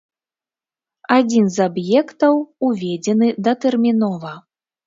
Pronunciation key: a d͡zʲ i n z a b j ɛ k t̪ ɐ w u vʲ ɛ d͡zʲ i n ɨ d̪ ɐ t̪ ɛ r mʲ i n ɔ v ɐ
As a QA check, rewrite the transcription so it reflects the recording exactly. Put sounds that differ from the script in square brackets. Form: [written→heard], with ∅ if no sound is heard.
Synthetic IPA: a d͡zʲ i n z a b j ɛ k t̪ ɐ w u vʲ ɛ d͡zʲ [i→ɛ] n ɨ d̪ ɐ t̪ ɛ r mʲ i n ɔ v ɐ